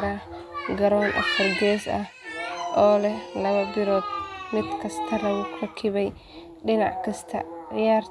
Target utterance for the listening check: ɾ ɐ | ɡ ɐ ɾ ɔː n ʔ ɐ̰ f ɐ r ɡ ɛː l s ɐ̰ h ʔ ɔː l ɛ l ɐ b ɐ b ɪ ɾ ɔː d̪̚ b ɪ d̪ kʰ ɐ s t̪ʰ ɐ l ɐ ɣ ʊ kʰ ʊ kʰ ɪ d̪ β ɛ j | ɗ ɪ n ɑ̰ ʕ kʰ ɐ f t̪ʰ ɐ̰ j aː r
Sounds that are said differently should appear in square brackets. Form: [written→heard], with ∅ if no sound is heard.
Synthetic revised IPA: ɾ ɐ | ɡ ɐ ɾ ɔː n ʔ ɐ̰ f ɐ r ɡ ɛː [l→∅] s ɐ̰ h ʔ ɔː l ɛ l ɐ [b→β] ɐ b ɪ ɾ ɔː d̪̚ [b→m] ɪ d̪ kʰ ɐ s t̪ʰ ɐ l ɐ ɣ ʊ kʰ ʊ kʰ ɪ [d̪→∅] β ɛ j | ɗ ɪ n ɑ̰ ʕ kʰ ɐ [f→s] t̪ʰ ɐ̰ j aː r